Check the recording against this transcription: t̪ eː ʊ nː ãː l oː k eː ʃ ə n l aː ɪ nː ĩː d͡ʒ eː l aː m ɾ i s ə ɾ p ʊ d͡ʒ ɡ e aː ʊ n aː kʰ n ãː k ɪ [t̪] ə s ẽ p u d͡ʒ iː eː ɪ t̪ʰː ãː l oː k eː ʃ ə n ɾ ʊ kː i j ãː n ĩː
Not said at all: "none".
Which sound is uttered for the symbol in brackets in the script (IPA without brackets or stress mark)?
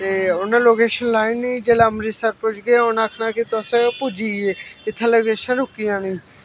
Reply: t̪